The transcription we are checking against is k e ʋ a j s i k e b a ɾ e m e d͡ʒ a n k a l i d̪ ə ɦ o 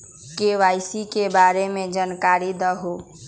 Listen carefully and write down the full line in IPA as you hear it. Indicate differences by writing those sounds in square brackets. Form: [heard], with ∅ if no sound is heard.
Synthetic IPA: k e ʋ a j s i k e b a ɾ e m e d͡ʒ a n k a [ɾ] i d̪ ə ɦ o